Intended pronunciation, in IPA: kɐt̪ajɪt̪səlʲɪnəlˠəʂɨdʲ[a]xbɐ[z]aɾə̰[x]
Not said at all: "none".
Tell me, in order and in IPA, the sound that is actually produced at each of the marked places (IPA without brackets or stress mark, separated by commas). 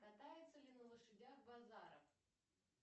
a, z, f